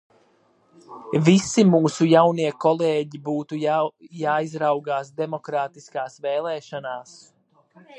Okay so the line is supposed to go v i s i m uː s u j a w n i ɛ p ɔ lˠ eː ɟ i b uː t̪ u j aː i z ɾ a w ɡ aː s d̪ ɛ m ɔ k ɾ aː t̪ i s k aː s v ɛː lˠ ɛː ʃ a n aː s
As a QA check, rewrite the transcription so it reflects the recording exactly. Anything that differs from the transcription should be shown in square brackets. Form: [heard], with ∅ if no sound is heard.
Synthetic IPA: v i s i m uː s u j a w n i ɛ [k] ɔ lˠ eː ɟ i b uː t̪ u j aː i z ɾ a w ɡ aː s d̪ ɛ m ɔ k ɾ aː t̪ i s k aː s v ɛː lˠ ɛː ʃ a n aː s